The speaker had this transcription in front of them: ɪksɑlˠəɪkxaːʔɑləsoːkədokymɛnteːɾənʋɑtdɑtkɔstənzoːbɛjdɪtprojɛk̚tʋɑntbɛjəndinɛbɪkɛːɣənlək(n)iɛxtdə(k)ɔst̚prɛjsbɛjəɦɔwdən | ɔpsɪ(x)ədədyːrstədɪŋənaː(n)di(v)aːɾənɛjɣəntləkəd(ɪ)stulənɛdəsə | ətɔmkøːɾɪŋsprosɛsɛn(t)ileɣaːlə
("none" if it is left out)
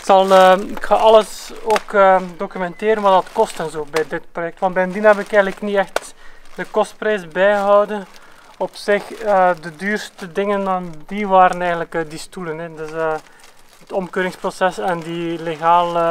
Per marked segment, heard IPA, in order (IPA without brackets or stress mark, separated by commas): n, k, x, n, ʋ, i, d